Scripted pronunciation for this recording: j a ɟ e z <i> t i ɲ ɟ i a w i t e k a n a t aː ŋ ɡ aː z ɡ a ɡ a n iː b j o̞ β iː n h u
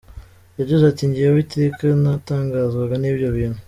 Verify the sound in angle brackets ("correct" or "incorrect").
incorrect